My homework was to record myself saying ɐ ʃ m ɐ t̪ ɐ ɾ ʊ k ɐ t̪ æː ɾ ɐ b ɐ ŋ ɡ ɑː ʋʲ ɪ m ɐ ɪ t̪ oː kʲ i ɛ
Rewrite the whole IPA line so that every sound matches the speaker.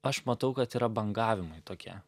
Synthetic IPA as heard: ɐ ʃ m ɐ t̪ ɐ ʊ k ɐ t̪ iː ɾ ɐ b ɐ ŋ ɡ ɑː ʋʲ ɪ m ɐ ɪ t̪ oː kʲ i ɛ